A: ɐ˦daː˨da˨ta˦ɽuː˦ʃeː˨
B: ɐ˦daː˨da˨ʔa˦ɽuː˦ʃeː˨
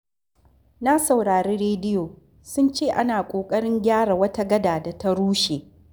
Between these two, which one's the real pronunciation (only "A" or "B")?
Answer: A